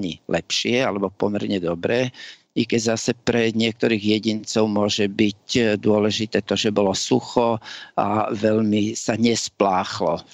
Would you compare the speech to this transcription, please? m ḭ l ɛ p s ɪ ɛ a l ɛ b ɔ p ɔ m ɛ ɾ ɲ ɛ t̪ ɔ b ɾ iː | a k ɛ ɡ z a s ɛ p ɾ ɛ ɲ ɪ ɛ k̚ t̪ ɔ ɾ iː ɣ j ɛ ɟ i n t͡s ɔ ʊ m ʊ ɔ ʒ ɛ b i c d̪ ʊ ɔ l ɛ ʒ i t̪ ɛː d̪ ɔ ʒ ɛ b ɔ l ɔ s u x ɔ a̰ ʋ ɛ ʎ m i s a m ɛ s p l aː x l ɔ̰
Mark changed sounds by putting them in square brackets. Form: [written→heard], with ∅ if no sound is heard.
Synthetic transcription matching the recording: [m→ɲ] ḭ l ɛ p [s→ʃ] ɪ ɛ a l ɛ b ɔ p ɔ m ɛ ɾ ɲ ɛ [t̪→d̪] ɔ b ɾ [iː→ɛː] | [a→i] k ɛ [ɡ→ɟ] z a s ɛ p ɾ ɛ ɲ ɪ ɛ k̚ t̪ ɔ ɾ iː ɣ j ɛ ɟ i n t͡s ɔ ʊ m ʊ ɔ ʒ ɛ b i c d̪ ʊ ɔ l ɛ ʒ i t̪ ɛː [d̪→t̪] ɔ ʒ ɛ b ɔ l ɔ s u x ɔ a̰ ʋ ɛ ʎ m i s a [m→ɲ] ɛ s p l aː x l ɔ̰